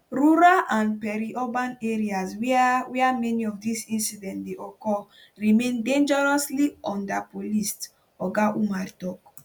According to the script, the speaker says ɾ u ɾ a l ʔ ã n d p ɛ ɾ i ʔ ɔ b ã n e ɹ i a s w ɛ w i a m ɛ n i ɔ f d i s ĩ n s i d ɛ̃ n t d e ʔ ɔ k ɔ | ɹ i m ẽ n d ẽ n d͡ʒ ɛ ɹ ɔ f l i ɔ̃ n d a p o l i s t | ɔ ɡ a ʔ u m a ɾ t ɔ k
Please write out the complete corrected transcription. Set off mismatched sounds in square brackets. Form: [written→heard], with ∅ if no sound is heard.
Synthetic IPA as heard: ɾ u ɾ a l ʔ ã n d p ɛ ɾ i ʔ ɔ b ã n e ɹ i a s w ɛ w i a m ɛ n i ɔ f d i s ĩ n s i d ɛ̃ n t d e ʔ ɔ k ɔ | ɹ i m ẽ n d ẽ n d͡ʒ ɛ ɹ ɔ [f→s] l i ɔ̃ n d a p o l i s t | ɔ ɡ a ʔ u m a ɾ t ɔ k